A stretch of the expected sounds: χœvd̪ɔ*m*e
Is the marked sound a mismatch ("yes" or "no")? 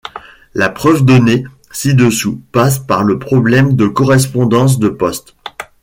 yes